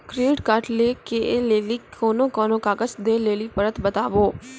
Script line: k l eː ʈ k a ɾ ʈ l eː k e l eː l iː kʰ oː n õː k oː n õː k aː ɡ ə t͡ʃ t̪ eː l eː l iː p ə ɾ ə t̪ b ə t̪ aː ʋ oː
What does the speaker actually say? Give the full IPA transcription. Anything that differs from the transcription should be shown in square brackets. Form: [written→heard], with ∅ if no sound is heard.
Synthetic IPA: k [l→ɾ] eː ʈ k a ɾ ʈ l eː k e l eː l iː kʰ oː n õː k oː n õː k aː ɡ ə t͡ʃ [t̪→d̪] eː l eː l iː p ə ɾ ə t̪ b ə t̪ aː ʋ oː